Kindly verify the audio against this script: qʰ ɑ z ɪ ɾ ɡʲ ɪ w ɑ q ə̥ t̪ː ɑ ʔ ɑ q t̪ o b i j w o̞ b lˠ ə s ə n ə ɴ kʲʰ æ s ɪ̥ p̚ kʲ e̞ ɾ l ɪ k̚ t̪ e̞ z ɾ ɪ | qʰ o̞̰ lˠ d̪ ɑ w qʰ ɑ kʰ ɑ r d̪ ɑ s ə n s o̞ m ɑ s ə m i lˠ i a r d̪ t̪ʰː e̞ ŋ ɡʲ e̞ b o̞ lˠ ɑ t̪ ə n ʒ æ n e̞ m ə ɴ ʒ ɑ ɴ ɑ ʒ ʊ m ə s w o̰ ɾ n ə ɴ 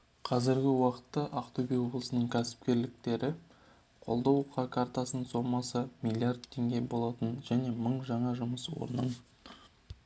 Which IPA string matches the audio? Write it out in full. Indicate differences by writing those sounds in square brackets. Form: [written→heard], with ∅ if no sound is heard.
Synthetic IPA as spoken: qʰ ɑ z ɪ ɾ ɡʲ ɪ w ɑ q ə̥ t̪ː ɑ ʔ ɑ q t̪ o b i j w o̞ b lˠ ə s ə n ə ɴ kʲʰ æ s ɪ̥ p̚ kʲ e̞ ɾ l ɪ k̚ t̪ e̞ [z→∅] ɾ ɪ | qʰ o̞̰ lˠ d̪ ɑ w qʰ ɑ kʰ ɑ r [d̪→t̪] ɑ s ə n s o̞ m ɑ s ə m i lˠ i a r d̪ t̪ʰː e̞ ŋ ɡʲ e̞ b o̞ lˠ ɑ t̪ ə n ʒ æ n e̞ m ə ɴ ʒ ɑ ɴ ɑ ʒ ʊ m ə s w o̰ ɾ n ə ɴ